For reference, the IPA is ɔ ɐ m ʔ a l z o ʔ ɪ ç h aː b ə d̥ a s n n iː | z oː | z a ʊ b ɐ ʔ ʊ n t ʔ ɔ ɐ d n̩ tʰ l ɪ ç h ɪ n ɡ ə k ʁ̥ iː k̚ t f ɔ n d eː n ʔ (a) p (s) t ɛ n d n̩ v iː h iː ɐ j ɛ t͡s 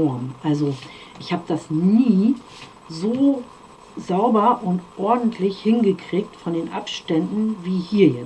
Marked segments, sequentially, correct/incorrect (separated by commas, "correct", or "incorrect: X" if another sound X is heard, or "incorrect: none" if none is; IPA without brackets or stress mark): correct, incorrect: ʃ